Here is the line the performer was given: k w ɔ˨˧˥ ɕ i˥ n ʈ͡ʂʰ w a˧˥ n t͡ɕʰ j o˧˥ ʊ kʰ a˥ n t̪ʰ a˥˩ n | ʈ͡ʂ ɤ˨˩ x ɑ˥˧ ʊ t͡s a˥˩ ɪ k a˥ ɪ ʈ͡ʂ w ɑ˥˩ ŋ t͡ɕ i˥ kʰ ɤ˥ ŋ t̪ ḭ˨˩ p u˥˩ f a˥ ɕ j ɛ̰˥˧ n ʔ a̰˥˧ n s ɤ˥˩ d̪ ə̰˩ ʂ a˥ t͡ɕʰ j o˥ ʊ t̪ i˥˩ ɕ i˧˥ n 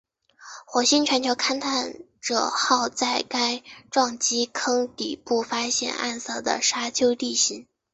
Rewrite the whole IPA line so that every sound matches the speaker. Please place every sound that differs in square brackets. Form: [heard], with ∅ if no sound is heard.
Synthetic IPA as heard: [x] w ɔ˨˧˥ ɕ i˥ n ʈ͡ʂʰ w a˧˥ n t͡ɕʰ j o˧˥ ʊ kʰ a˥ n t̪ʰ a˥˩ n | ʈ͡ʂ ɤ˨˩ x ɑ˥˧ ʊ t͡s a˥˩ ɪ k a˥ ɪ ʈ͡ʂ w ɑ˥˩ ŋ t͡ɕ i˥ kʰ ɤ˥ ŋ t̪ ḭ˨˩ p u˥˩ f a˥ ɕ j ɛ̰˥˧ n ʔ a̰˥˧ n s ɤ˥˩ d̪ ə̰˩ ʂ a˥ t͡ɕʰ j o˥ ʊ t̪ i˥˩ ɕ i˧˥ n